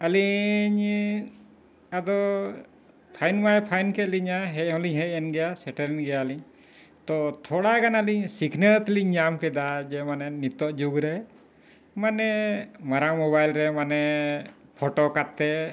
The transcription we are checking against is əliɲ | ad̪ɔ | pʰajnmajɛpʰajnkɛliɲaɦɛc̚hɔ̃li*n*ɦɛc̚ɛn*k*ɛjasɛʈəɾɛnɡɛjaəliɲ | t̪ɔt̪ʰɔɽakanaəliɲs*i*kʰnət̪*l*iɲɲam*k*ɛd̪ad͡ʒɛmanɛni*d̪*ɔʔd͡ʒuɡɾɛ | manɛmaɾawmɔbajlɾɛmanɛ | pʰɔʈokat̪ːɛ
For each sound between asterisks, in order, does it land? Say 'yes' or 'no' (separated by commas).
no, no, yes, yes, yes, no